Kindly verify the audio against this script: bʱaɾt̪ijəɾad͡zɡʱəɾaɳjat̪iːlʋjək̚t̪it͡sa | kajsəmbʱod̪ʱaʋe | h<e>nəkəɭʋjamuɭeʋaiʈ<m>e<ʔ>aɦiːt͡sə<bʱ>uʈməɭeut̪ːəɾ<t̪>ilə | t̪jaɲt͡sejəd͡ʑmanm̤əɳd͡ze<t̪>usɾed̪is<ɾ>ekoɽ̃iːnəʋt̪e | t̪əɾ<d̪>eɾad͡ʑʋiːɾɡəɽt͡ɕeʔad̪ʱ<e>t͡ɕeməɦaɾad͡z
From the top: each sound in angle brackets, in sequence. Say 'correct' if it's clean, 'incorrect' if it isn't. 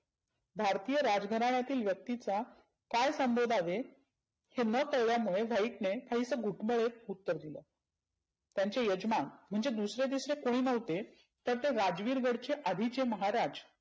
correct, incorrect: n, incorrect: k, incorrect: ɡʱ, incorrect: d̪, incorrect: d̪, correct, incorrect: t̪, incorrect: i

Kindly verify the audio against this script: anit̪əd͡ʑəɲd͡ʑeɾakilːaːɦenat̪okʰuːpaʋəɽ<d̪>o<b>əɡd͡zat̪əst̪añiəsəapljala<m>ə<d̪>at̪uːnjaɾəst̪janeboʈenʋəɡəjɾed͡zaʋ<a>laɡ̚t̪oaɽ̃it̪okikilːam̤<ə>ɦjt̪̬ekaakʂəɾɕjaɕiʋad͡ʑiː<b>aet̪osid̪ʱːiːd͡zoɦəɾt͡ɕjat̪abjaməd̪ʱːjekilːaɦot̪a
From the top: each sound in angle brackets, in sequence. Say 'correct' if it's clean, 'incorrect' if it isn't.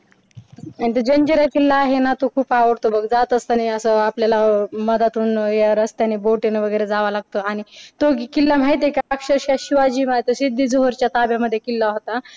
incorrect: t̪, correct, correct, correct, correct, incorrect: a, incorrect: m

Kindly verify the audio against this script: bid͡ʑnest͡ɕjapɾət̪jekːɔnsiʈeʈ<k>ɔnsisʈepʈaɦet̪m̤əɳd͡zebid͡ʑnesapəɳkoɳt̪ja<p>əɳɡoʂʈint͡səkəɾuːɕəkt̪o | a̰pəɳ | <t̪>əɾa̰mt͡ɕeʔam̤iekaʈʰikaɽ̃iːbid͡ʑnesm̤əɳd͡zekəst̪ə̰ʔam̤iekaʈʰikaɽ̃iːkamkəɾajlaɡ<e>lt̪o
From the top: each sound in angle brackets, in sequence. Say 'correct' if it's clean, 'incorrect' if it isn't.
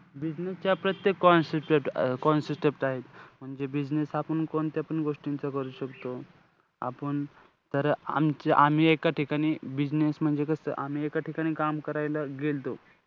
correct, correct, correct, correct

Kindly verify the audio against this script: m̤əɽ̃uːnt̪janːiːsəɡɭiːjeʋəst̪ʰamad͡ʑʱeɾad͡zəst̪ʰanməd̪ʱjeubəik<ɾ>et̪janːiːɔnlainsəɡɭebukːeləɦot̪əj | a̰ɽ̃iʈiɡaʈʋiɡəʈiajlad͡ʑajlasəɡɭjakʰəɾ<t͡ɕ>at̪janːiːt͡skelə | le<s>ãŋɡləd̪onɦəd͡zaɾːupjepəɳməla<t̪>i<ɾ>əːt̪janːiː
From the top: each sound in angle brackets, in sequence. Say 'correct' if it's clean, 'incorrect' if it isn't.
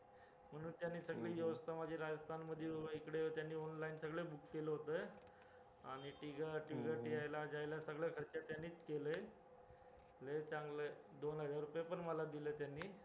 incorrect: ɽ, correct, incorrect: t͡s, incorrect: d̪, incorrect: l

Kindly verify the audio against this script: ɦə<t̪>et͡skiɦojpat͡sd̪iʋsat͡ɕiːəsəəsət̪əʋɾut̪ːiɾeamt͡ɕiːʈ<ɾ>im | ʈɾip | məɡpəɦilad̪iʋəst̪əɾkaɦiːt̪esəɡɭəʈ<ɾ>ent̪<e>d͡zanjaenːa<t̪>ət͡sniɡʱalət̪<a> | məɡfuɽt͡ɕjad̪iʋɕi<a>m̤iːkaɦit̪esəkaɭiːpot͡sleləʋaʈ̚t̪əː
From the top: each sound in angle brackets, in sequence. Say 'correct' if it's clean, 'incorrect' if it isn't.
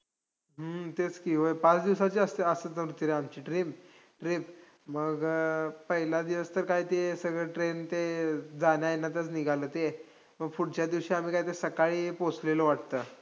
correct, correct, correct, correct, correct, incorrect: e, correct

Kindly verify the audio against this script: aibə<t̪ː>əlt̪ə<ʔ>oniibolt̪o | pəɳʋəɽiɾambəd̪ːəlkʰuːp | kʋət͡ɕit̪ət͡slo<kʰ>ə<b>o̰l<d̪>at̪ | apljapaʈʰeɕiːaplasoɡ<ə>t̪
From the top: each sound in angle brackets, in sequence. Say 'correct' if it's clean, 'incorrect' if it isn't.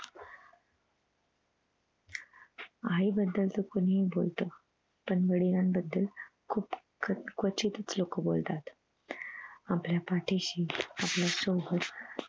incorrect: d̪ː, incorrect: k, incorrect: k, correct, incorrect: t̪, correct

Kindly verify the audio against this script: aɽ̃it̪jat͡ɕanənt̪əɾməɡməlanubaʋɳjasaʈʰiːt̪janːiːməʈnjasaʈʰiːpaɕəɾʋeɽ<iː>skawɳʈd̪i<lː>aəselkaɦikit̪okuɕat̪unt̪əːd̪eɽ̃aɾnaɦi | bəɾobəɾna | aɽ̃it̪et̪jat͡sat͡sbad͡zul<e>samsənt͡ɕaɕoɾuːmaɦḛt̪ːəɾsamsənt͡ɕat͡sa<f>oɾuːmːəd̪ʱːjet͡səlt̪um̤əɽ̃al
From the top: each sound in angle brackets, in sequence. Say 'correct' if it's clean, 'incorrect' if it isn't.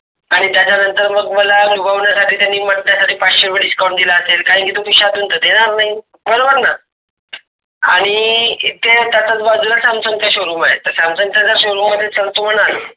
incorrect: i, incorrect: l, incorrect: a, incorrect: ɕ

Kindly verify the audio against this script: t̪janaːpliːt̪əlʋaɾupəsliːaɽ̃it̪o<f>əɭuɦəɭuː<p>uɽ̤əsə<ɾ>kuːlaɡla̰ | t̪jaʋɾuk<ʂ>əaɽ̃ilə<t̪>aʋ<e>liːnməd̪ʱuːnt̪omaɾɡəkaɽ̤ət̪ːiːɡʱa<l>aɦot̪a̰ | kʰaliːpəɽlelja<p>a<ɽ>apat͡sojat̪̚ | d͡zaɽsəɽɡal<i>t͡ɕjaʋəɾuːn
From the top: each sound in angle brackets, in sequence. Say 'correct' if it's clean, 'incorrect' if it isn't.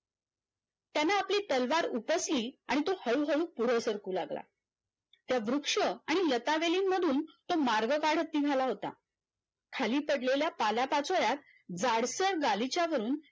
incorrect: h, correct, correct, correct, correct, correct, correct, correct, incorrect: l, correct

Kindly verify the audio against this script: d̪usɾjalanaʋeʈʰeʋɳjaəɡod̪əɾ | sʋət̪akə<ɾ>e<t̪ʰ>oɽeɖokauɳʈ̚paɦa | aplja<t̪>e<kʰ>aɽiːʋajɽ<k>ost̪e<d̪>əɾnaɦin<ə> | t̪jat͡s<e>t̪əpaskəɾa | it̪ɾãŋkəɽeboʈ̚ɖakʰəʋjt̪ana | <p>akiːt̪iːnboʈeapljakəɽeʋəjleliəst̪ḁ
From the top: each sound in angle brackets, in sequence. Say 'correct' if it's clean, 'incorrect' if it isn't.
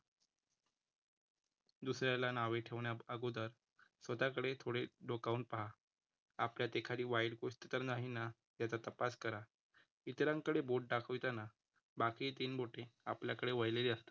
incorrect: ɽ, correct, correct, correct, correct, incorrect: t̪, incorrect: a, incorrect: a, incorrect: b

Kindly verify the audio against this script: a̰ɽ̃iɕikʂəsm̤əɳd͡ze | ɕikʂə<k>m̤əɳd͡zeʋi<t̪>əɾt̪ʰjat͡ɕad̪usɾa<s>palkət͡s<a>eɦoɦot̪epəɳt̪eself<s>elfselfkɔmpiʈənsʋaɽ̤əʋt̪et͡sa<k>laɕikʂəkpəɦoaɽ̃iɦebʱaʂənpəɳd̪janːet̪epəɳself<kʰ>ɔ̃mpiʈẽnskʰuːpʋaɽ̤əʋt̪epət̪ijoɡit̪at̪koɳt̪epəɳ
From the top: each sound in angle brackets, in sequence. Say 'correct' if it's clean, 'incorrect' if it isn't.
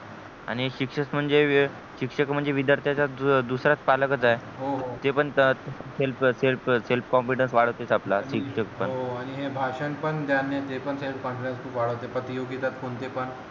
correct, incorrect: d̪, incorrect: t͡s, correct, correct, incorrect: p, incorrect: k

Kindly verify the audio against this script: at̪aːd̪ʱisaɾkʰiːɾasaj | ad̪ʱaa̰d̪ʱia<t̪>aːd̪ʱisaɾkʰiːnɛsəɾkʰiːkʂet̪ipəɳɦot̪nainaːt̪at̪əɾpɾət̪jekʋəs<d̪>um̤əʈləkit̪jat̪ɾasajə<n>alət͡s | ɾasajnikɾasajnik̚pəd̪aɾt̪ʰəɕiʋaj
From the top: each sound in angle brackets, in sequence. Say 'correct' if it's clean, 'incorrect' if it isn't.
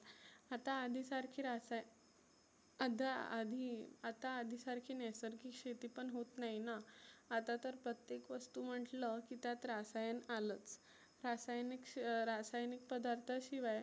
correct, incorrect: t̪, correct

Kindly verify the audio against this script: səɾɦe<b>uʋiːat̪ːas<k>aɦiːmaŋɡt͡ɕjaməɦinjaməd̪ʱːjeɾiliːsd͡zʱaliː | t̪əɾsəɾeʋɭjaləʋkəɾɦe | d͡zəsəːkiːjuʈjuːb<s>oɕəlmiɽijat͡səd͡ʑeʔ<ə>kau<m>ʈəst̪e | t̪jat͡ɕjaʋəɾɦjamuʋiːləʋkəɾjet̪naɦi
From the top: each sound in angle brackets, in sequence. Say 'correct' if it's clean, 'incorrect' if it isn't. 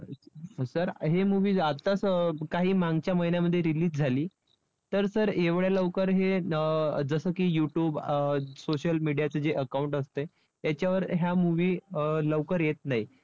incorrect: m, correct, correct, correct, incorrect: ɳ

